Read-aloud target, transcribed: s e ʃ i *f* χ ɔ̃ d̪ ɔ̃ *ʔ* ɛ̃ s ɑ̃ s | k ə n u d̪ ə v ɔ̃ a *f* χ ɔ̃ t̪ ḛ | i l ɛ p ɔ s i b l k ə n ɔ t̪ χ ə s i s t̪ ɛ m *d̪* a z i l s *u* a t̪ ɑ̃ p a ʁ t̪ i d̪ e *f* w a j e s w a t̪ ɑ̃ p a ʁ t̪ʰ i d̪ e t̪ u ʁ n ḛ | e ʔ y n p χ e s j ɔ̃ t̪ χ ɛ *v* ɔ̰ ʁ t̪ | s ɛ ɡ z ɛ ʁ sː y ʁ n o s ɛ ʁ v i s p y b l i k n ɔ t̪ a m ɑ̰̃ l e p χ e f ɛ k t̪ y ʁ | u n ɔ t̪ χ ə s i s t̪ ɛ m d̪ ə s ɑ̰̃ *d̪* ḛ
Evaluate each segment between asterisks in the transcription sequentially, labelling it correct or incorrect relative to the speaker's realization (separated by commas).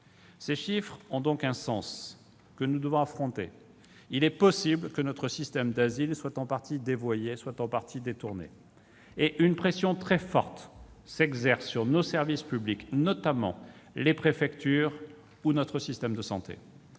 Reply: correct, incorrect, correct, correct, incorrect, incorrect, incorrect, incorrect